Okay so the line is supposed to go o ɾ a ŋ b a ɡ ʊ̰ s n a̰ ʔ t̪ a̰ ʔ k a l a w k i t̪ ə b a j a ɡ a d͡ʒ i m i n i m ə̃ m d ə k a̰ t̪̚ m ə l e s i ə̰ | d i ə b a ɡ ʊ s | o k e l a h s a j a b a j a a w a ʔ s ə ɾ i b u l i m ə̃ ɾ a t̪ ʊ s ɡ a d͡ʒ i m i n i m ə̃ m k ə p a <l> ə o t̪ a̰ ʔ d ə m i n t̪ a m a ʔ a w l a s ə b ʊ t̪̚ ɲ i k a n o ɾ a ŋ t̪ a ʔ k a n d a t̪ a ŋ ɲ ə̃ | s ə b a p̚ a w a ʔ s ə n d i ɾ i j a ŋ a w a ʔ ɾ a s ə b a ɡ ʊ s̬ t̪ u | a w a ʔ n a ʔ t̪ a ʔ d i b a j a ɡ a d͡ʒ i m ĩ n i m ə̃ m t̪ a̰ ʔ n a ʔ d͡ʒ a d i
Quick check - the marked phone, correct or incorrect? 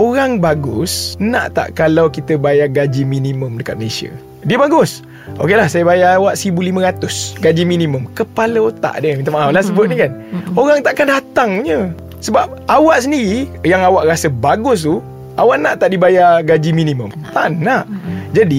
correct